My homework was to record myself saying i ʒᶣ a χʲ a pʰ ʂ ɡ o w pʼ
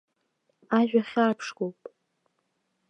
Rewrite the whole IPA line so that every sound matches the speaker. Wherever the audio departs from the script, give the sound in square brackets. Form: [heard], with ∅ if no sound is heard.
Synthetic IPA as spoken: [a] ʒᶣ a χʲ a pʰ ʂ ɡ o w pʼ